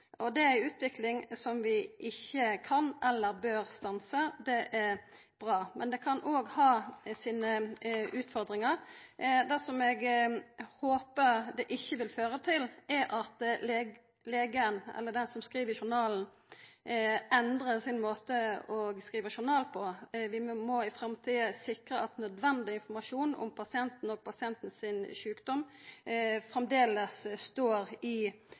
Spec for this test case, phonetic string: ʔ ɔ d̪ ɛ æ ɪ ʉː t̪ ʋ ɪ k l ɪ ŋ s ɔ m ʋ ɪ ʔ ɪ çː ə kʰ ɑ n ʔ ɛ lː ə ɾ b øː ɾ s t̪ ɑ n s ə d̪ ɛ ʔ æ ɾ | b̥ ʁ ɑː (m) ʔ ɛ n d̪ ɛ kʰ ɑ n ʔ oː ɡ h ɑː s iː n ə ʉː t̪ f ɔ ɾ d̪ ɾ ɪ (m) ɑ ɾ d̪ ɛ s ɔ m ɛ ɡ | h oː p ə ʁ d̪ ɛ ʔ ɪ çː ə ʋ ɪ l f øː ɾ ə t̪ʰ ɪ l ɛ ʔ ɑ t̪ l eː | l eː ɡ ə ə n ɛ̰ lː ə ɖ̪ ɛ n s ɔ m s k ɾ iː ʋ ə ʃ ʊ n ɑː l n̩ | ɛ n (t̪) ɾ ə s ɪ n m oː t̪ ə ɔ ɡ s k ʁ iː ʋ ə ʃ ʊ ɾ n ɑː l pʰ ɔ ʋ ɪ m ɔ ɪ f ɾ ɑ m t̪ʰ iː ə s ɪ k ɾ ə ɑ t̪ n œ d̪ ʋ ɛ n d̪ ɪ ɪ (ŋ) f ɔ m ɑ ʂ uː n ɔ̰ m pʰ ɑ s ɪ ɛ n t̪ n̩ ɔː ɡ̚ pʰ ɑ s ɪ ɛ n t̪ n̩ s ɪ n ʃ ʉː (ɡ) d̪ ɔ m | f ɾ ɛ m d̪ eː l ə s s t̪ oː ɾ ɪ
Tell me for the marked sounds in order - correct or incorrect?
correct, incorrect: ŋ, incorrect: d̪, incorrect: n, incorrect: k

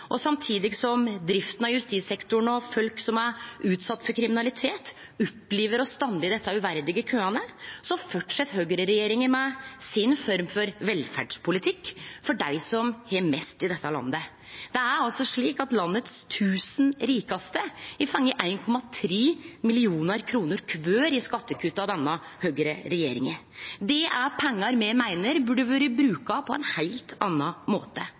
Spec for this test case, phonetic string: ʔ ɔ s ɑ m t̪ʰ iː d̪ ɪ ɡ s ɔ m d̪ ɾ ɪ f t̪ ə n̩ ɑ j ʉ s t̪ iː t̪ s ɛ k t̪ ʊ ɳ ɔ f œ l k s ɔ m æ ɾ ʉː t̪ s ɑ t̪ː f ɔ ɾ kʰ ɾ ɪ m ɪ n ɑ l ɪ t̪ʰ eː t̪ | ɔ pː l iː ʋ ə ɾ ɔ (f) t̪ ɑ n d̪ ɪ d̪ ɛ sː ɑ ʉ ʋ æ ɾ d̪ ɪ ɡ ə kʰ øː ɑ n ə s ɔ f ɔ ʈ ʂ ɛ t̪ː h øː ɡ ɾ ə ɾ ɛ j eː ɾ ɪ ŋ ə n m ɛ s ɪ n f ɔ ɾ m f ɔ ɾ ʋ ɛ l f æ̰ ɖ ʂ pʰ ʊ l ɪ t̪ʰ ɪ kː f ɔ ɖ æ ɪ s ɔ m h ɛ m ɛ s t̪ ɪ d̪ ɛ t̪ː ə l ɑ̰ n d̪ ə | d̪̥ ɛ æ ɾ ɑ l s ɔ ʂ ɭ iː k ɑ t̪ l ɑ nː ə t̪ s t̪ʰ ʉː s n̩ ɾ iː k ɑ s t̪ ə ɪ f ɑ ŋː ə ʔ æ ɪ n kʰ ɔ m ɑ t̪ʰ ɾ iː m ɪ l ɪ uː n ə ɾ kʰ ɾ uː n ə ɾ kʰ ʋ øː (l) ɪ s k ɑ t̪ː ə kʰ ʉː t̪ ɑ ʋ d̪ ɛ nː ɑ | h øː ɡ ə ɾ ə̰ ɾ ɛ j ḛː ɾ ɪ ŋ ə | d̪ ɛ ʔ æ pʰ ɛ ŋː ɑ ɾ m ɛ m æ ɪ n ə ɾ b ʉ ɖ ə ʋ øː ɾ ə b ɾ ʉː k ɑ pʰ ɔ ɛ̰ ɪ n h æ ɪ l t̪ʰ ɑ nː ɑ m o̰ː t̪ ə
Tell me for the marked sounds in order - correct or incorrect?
incorrect: s, incorrect: ɾ

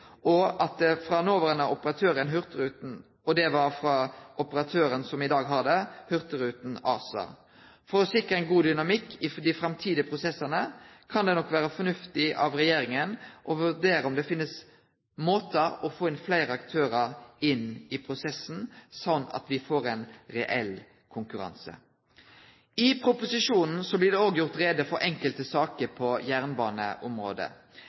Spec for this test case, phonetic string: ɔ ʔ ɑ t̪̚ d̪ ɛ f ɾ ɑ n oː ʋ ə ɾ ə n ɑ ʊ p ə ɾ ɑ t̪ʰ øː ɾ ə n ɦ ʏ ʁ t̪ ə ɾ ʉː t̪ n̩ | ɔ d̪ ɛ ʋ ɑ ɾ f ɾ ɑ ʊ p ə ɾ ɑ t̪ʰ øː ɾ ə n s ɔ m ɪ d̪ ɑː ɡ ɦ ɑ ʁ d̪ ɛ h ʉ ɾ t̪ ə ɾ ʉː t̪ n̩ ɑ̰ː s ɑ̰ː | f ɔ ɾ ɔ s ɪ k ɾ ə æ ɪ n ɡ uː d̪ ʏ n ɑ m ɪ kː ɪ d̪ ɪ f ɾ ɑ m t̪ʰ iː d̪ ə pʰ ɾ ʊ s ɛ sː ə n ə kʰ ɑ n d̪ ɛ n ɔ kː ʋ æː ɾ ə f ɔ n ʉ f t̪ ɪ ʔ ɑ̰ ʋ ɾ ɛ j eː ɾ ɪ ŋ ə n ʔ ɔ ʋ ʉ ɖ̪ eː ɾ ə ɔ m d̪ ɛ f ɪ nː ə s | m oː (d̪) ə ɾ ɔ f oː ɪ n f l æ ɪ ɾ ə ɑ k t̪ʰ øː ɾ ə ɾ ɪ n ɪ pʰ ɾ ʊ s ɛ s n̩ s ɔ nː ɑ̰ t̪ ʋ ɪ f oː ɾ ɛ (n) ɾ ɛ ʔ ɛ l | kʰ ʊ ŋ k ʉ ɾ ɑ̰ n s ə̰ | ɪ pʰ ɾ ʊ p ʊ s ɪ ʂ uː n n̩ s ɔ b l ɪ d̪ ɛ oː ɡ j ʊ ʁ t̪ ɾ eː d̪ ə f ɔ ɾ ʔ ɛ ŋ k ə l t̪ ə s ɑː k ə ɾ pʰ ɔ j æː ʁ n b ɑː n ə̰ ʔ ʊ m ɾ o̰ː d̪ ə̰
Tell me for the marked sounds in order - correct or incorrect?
incorrect: t̪, correct

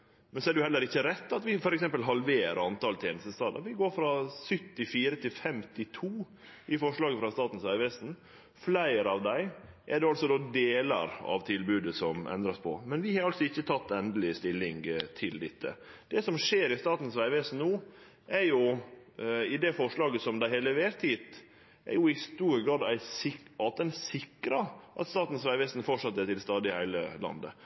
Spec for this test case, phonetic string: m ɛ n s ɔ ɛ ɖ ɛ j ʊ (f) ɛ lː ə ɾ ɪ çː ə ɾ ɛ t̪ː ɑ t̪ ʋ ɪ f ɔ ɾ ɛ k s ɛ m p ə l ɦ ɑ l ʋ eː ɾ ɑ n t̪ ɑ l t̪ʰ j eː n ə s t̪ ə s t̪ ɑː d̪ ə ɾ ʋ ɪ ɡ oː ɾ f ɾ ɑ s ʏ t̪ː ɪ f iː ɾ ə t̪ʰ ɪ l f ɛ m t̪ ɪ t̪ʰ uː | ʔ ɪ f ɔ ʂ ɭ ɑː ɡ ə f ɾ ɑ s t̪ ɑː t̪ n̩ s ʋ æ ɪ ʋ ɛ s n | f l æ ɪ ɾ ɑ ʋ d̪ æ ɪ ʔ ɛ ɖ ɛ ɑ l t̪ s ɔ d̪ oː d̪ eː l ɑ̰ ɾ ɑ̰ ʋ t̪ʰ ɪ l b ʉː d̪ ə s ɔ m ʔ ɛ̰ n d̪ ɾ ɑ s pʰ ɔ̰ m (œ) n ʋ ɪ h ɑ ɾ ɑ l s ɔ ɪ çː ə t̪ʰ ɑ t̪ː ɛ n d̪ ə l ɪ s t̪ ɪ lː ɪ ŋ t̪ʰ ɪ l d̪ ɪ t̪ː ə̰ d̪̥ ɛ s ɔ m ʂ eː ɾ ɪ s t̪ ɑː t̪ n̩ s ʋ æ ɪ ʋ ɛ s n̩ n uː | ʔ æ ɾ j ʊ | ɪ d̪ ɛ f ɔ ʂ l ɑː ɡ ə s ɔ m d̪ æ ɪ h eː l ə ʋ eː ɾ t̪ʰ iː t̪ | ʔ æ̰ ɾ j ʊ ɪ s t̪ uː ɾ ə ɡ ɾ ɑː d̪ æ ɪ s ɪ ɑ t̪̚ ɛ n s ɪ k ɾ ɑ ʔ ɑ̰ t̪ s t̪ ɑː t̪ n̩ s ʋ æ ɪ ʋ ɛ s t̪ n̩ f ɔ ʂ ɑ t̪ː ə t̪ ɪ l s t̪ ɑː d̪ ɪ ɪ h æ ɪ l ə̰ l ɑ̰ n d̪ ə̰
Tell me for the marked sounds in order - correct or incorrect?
incorrect: h, incorrect: ɛ

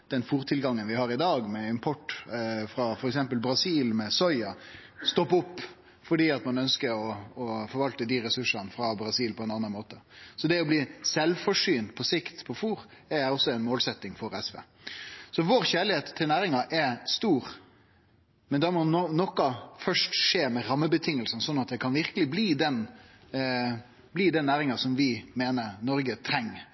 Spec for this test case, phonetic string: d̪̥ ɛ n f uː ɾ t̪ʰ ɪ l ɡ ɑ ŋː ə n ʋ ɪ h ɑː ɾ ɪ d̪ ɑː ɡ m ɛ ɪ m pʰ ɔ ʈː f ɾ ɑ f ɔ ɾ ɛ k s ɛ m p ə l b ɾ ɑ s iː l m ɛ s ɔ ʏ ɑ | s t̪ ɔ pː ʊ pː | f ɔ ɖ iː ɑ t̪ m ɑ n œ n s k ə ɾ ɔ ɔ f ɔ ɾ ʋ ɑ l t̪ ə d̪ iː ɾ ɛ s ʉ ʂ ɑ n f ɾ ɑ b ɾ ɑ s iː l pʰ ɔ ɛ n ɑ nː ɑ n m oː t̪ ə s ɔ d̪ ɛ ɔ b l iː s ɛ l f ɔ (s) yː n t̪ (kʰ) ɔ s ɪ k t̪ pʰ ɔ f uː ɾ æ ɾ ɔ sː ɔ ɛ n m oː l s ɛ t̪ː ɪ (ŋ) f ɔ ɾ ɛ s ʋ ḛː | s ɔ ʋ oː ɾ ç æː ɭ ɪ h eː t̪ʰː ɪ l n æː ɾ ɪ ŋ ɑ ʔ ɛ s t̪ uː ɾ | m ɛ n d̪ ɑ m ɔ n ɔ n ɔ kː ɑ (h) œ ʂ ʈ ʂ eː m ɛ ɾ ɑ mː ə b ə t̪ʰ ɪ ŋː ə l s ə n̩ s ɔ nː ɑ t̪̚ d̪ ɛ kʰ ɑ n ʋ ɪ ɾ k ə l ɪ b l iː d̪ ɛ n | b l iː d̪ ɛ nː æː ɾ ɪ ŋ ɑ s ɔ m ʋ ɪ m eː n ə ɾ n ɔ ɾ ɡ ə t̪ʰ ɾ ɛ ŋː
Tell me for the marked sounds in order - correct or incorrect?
incorrect: ʂ, incorrect: pʰ, correct, incorrect: f

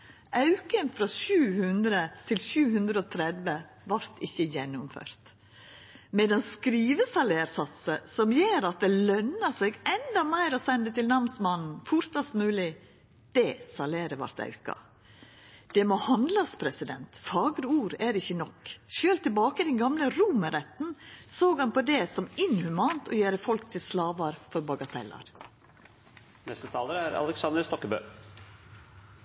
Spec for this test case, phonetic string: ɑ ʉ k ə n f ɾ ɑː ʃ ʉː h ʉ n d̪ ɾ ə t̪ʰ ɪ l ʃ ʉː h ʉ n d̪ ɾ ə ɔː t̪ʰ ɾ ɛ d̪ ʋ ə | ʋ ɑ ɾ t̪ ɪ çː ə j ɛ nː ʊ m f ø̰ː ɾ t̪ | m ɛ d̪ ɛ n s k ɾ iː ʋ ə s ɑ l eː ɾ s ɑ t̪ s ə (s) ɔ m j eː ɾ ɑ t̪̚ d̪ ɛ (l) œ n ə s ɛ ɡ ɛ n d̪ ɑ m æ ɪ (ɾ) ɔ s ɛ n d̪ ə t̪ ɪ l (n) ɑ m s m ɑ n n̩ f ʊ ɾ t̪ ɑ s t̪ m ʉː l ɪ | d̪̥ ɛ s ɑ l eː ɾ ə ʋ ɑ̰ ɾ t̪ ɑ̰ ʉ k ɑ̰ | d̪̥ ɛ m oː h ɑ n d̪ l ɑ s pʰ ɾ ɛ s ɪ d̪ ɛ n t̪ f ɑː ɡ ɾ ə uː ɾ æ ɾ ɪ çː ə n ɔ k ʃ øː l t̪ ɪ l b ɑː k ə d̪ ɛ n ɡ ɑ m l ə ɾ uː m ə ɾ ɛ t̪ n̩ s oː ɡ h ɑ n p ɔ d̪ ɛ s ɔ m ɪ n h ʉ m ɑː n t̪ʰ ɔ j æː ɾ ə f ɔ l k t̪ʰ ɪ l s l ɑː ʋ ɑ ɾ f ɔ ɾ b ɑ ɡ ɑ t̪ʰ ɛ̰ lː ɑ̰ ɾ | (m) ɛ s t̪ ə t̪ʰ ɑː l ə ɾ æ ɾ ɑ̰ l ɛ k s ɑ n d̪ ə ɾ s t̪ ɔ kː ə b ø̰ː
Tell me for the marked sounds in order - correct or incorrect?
correct, correct, correct, correct, incorrect: n

